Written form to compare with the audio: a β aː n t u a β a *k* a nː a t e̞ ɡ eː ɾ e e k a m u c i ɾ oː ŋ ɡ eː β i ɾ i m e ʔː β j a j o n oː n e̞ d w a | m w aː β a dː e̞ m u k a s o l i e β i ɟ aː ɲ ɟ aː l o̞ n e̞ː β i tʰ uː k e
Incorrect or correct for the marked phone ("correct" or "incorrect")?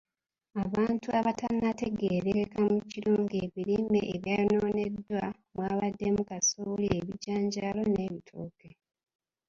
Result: incorrect